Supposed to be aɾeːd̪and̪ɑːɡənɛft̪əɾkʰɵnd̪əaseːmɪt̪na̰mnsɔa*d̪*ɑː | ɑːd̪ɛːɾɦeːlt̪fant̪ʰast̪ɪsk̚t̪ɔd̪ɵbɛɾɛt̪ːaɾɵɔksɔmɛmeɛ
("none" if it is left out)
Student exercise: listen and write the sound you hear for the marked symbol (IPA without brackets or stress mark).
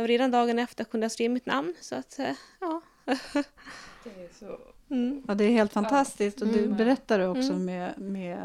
t̪